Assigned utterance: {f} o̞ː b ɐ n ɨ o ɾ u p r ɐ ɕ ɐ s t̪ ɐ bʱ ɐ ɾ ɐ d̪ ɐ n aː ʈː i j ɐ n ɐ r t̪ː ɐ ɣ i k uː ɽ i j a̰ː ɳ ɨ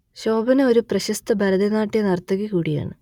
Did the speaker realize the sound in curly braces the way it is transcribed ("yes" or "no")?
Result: no